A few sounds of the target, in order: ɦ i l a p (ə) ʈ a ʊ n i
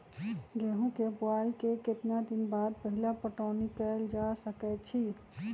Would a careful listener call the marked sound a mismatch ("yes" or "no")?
no